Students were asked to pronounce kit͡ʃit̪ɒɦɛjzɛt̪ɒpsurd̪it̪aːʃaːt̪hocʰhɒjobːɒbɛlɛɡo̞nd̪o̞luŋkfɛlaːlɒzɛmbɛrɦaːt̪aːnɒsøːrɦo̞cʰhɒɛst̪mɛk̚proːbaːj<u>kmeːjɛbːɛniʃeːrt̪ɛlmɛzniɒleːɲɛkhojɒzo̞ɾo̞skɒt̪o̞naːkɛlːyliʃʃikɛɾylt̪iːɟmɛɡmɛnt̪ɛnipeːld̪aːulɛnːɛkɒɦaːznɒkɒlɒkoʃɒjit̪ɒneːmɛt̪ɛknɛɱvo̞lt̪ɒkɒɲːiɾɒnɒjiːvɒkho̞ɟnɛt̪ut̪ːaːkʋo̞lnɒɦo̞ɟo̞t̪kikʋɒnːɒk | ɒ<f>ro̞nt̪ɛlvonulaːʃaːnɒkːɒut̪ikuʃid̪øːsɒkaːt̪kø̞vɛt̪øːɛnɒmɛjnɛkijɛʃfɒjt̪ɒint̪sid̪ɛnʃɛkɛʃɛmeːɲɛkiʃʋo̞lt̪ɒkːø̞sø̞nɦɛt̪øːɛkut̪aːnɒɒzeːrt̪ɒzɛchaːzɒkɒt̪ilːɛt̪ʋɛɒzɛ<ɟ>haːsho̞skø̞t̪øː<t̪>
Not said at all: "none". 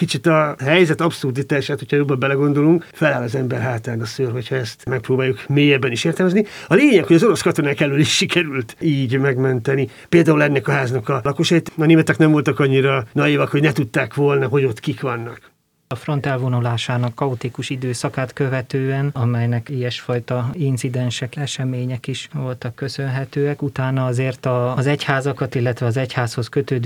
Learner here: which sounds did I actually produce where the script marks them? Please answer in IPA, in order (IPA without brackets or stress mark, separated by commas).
u, f, c, d̪